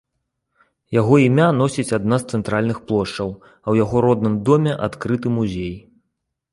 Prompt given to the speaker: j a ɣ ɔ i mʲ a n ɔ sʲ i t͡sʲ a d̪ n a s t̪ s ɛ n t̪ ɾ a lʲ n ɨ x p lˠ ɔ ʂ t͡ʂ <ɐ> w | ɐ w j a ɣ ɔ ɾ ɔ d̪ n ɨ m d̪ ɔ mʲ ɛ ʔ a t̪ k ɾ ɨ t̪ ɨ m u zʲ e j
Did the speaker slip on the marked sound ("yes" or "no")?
no